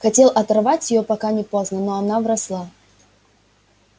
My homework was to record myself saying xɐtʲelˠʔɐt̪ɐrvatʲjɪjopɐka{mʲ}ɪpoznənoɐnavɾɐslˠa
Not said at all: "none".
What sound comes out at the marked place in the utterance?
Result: nʲ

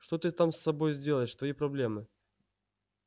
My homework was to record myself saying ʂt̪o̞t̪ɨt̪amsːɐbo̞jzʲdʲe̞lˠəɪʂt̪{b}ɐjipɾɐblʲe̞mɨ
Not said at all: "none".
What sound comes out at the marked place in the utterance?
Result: v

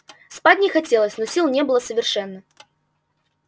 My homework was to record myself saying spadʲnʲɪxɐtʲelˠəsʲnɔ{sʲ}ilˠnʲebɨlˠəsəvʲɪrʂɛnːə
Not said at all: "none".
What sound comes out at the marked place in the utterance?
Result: sʲ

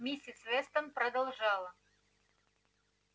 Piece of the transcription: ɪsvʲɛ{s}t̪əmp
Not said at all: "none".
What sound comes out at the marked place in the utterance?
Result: s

